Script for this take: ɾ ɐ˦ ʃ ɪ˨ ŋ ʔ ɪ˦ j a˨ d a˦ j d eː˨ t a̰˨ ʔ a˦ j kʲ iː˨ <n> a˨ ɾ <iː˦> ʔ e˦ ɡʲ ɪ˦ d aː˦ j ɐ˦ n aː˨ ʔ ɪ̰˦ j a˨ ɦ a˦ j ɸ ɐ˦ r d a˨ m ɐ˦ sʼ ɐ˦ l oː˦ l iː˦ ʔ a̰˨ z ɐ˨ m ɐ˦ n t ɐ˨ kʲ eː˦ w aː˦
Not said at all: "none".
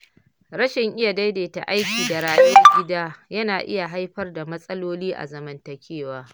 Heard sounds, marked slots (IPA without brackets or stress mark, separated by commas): d, aː˦